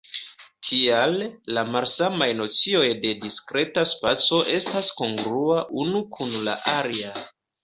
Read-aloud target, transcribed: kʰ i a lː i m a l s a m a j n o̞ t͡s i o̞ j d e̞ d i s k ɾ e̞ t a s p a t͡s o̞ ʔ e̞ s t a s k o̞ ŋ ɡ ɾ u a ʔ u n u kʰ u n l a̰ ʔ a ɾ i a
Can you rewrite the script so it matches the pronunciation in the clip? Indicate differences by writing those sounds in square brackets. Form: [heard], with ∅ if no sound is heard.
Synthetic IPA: [tʰ] i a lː [a] m a l s a m a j n o̞ t͡s i o̞ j d e̞ d i s k ɾ e̞ t a s p a t͡s o̞ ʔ e̞ s t a s k o̞ ŋ ɡ ɾ u a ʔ u n u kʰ u n l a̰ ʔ a ɾ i a